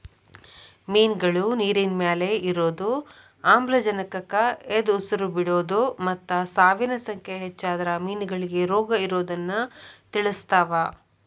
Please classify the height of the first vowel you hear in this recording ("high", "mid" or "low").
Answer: high